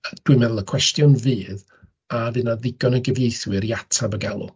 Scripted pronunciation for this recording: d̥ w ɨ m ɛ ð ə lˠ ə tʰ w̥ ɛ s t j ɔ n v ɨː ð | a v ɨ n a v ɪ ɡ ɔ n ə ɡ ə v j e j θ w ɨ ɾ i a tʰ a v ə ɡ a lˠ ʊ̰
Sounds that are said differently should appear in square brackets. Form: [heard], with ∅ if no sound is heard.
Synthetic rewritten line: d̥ w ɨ m ɛ ð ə lˠ ə [kʰ] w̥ ɛ s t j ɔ n v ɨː ð | a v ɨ n a [ð] ɪ ɡ ɔ n ə ɡ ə v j e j θ w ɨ ɾ i a tʰ a [b] ə ɡ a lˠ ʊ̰